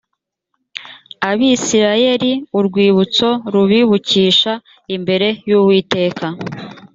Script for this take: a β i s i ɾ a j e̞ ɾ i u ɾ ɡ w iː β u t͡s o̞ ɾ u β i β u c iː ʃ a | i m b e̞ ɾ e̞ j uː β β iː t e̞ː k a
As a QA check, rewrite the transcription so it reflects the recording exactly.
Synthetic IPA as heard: a β i s i ɾ a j e̞ ɾ i u ɾ ɡ w iː β u t͡s o̞ ɾ u β i β u c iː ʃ a | i m b e̞ ɾ e̞ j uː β w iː t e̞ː k a